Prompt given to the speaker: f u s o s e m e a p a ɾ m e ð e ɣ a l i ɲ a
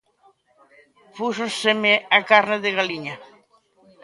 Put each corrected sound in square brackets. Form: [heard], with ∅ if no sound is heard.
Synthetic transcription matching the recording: f u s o s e m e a [k] a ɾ [n] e ð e ɣ a l i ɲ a